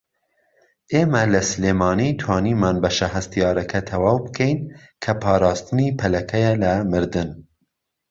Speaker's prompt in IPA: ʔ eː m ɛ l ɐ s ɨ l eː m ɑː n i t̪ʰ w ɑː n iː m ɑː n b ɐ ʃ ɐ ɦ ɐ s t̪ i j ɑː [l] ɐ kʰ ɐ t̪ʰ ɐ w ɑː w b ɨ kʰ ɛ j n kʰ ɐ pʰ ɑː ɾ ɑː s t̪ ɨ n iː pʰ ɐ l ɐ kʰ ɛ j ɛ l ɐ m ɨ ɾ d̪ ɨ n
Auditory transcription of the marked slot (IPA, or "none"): ɾ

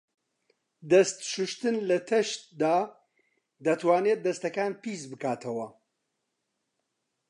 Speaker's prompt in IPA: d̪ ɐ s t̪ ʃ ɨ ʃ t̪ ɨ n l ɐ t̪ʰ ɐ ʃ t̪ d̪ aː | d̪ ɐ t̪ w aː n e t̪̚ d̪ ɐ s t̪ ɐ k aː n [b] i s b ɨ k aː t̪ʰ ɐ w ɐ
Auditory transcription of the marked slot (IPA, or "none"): p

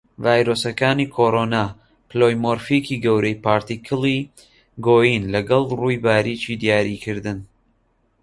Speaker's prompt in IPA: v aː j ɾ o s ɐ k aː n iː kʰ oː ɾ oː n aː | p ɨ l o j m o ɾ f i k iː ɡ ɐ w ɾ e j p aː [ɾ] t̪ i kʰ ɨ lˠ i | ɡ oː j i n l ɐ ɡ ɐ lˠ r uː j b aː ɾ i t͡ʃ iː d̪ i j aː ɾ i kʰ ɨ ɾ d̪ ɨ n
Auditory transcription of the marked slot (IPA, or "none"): ɾ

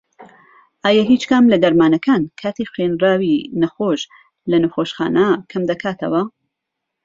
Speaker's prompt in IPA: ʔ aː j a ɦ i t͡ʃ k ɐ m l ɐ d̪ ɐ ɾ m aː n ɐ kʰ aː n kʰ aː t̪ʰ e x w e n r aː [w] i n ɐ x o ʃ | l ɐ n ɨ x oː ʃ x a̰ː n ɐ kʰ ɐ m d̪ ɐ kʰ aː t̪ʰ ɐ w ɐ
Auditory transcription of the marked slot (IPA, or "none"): w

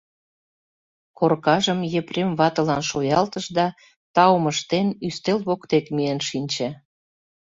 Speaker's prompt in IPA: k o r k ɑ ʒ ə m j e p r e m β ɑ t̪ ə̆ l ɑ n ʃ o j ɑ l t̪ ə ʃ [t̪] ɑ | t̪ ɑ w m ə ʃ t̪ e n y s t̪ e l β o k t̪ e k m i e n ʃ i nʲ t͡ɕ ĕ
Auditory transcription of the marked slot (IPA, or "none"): d̪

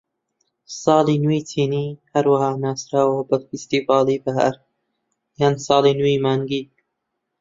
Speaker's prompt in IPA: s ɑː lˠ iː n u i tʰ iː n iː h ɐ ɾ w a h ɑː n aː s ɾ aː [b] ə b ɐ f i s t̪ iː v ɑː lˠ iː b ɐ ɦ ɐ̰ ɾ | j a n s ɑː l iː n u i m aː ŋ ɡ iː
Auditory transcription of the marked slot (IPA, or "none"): w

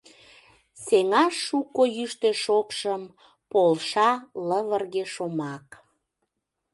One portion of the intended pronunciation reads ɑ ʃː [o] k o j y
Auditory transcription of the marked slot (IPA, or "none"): u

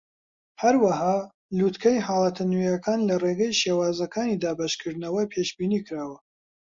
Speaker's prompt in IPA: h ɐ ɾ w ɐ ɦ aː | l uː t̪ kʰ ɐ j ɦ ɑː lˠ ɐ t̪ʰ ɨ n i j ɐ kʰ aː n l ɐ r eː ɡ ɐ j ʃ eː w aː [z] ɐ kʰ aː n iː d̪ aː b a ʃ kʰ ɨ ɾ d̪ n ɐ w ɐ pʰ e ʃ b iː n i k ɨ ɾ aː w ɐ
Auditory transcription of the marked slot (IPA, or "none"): z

